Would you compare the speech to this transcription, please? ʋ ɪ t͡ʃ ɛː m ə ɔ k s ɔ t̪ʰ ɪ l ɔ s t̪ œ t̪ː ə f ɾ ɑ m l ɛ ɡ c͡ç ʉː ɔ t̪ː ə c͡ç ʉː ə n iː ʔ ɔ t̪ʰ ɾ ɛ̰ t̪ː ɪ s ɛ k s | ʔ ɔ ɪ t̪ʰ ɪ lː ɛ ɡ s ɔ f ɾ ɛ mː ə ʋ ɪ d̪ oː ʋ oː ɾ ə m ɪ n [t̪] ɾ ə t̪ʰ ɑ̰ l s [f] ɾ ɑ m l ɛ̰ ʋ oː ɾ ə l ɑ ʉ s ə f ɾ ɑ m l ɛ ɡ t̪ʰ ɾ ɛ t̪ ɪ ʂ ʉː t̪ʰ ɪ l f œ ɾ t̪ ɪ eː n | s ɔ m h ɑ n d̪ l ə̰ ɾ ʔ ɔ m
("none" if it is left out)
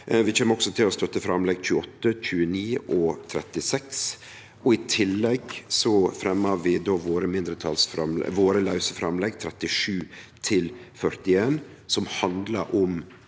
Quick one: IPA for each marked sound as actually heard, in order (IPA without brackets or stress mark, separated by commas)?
d̪, f